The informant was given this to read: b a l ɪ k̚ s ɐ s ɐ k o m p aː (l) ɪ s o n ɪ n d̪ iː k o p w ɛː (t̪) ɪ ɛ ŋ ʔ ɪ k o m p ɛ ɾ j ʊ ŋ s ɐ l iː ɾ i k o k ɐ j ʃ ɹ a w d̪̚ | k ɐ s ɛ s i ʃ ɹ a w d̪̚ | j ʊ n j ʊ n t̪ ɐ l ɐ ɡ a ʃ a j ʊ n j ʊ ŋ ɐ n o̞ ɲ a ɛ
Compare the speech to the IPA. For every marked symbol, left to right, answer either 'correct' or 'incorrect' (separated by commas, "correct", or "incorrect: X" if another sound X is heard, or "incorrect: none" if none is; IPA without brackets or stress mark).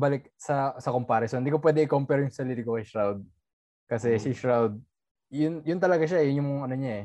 incorrect: ɾ, incorrect: d̪